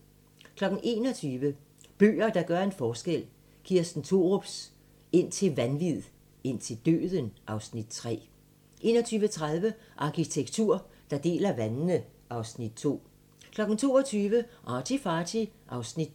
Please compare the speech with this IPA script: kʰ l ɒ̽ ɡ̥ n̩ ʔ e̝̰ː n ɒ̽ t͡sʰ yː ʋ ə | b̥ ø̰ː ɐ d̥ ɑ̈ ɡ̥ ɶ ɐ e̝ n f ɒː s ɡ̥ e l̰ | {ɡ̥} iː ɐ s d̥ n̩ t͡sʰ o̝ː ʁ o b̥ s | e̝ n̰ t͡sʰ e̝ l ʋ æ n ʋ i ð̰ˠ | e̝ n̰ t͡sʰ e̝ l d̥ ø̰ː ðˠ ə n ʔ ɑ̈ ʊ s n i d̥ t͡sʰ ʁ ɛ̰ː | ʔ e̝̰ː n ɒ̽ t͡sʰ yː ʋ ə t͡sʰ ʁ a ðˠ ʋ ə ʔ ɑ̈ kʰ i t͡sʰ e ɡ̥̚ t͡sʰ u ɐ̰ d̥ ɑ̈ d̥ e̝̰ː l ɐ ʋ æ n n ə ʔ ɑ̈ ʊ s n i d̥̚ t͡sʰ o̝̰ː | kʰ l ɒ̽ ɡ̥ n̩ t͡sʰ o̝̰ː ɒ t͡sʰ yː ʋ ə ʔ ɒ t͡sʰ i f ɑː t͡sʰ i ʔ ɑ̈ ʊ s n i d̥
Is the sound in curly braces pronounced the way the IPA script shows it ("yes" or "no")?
yes